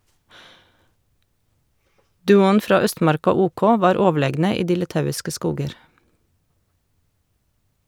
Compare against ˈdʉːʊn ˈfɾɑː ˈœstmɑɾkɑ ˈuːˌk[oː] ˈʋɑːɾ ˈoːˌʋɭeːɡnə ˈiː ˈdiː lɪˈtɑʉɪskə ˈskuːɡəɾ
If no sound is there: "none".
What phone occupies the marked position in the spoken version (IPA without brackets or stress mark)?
oː